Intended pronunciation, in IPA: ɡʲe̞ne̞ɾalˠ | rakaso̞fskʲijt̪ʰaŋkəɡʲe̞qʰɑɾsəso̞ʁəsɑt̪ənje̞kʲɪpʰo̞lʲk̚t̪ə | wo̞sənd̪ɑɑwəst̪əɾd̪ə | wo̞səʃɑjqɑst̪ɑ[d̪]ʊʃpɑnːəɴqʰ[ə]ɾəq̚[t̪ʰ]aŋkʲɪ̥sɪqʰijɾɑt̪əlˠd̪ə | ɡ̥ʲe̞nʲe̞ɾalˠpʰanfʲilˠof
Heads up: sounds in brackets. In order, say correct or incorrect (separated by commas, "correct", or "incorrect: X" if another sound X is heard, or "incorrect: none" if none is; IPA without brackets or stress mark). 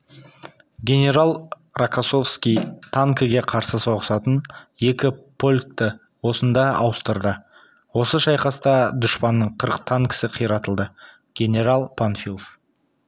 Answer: correct, correct, correct